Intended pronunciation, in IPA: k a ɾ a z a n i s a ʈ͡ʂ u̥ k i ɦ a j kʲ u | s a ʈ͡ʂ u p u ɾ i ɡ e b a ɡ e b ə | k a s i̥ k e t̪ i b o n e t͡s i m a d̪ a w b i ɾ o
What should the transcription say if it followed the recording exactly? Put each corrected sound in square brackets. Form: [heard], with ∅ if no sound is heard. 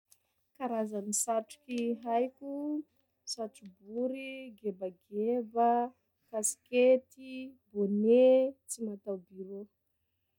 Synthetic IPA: k a ɾ a z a n i s a ʈ͡ʂ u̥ k i ɦ a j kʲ u | s a ʈ͡ʂ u [b] u ɾ i ɡ e b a ɡ e b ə | k a s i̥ k e t̪ i b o n e t͡s i m a [t̪] a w b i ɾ o